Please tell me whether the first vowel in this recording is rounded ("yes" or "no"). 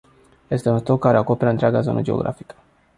no